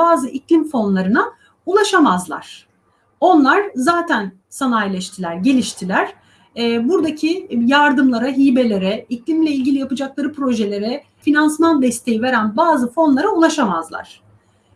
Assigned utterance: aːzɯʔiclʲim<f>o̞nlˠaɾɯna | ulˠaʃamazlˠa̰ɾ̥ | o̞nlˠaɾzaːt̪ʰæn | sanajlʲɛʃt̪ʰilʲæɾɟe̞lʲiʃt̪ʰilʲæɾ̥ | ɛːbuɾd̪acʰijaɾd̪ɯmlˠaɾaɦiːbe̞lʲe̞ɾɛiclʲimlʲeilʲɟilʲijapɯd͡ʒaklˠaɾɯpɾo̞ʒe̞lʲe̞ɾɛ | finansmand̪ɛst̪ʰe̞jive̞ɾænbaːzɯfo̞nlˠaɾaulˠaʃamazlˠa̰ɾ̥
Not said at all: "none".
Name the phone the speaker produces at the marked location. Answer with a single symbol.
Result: f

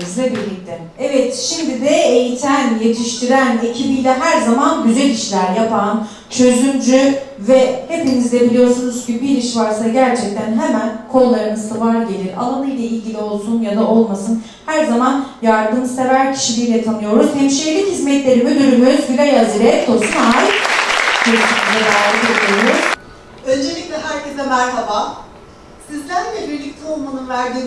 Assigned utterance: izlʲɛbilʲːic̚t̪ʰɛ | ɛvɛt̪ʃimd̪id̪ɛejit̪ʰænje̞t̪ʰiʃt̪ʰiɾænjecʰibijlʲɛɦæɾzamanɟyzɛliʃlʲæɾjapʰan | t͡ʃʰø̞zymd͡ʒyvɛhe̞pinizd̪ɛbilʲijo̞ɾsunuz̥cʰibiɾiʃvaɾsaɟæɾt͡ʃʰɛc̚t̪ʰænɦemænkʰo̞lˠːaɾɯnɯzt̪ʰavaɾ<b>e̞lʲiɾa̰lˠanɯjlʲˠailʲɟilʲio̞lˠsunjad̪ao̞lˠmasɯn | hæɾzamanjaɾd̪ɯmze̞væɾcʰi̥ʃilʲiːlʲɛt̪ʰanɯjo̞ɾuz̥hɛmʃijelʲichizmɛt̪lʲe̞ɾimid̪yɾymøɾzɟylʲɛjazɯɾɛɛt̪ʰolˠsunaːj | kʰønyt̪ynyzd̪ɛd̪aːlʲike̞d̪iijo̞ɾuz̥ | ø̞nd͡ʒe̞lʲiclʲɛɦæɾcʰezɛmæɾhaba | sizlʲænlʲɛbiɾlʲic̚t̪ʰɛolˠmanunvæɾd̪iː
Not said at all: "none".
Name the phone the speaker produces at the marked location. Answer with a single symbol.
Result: ɟ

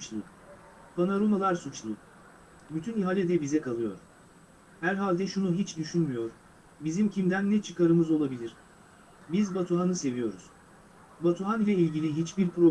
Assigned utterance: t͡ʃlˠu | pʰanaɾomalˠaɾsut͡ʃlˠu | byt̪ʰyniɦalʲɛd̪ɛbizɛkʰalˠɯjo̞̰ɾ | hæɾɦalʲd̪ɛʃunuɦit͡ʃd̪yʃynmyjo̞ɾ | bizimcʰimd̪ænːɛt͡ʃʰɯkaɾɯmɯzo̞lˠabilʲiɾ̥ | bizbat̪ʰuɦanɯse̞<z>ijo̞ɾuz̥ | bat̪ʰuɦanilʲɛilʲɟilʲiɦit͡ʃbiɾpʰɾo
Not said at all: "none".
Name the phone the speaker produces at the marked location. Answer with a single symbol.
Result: v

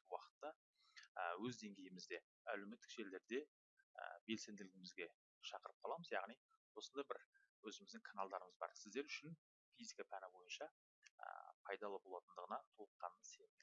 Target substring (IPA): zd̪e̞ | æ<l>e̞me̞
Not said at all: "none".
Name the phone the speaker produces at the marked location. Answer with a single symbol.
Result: l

